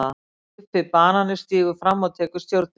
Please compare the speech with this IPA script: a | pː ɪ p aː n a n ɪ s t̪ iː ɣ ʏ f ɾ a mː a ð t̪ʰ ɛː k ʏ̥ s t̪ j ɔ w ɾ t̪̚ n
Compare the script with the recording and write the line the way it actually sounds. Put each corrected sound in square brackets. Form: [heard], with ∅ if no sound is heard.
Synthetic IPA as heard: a | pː ɪ p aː n a n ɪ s t̪ iː ɣ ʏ f ɾ a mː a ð t̪ʰ ɛː k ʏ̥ s t̪ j [o] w ɾ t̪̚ n